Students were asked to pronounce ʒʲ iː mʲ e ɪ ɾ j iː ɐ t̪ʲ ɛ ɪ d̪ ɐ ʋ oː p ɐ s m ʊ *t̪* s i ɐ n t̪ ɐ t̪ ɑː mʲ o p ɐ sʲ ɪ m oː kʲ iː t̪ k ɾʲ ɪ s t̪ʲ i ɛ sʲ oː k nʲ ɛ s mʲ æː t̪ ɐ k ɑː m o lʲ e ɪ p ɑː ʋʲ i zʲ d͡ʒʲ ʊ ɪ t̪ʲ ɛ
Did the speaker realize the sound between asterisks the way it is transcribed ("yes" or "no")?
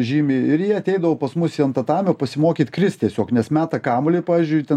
no